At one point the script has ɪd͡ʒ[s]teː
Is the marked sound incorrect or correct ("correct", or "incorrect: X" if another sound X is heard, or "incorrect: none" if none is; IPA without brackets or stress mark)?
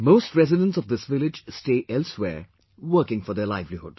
correct